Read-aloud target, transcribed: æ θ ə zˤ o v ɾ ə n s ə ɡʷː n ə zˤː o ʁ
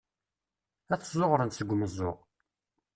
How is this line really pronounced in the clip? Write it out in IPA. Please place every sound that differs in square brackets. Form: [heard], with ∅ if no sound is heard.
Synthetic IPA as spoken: æ θ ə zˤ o [ʁ] ɾ ə n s ə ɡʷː [m] ə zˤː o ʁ